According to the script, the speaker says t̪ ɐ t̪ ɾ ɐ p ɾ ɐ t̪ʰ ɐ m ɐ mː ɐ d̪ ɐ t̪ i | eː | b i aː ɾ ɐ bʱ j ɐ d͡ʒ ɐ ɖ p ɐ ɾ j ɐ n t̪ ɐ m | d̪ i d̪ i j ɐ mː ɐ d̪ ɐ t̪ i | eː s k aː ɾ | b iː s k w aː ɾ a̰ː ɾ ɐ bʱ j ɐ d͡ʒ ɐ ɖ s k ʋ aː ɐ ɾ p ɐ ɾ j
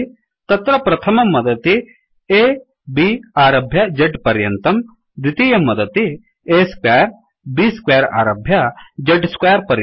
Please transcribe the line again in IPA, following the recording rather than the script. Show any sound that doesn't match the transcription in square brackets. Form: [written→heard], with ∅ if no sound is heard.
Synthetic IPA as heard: t̪ ɐ t̪ ɾ ɐ p ɾ ɐ t̪ʰ ɐ m ɐ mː ɐ d̪ ɐ t̪ i | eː | b i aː ɾ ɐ bʱ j ɐ d͡ʒ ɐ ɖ p ɐ ɾ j ɐ n t̪ ɐ m | d̪ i [d̪→t̪] i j ɐ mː ɐ d̪ ɐ t̪ i | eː s k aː ɾ | b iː s k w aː ɾ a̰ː ɾ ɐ bʱ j ɐ d͡ʒ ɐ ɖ s k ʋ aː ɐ ɾ p ɐ ɾ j